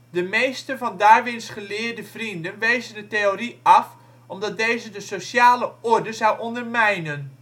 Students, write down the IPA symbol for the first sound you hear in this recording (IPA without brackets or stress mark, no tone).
d